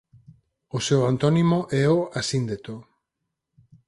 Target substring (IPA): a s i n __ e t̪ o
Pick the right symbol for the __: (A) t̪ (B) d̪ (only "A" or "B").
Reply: B